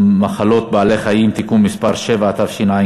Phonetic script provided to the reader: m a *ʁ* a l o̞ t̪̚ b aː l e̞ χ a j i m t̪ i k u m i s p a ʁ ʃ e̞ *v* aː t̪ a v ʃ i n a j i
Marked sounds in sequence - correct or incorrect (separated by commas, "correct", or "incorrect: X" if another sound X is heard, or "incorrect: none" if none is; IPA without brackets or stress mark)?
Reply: incorrect: χ, correct